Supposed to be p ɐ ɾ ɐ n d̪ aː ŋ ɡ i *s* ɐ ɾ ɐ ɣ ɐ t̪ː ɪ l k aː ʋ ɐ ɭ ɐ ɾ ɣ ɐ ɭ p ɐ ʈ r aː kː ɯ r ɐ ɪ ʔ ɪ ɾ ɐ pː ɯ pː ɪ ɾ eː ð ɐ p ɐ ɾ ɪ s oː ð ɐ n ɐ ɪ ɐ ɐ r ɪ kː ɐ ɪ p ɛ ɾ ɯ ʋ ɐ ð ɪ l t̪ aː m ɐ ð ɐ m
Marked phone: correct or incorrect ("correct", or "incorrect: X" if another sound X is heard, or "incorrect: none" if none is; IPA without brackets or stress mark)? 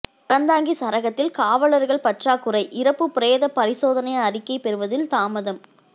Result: correct